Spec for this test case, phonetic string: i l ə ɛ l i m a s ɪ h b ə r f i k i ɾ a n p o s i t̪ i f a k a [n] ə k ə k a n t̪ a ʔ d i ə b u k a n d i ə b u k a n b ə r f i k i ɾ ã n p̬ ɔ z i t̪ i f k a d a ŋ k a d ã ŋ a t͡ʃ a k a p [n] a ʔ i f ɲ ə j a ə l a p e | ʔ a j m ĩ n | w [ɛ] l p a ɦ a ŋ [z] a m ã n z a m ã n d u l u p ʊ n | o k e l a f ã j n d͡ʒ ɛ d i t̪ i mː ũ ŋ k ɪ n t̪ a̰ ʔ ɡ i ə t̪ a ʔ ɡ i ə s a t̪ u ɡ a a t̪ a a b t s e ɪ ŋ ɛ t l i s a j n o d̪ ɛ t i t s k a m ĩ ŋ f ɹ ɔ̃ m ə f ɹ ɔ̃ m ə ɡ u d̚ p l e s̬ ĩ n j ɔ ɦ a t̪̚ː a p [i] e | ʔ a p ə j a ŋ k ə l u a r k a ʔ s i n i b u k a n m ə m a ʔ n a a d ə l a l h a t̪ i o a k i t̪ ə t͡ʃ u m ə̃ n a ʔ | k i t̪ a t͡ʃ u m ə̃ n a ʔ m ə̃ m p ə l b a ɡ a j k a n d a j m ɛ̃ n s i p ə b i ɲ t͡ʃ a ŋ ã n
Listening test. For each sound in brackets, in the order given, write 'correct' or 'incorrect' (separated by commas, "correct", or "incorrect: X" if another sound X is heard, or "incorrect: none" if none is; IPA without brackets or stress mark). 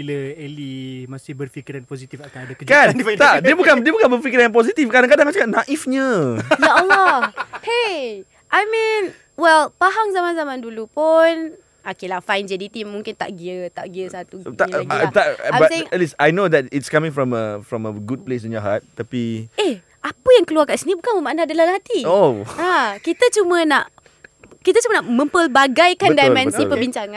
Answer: incorrect: d, correct, correct, correct, correct